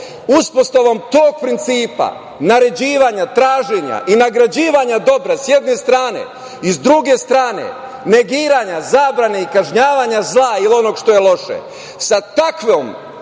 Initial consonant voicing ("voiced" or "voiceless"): voiceless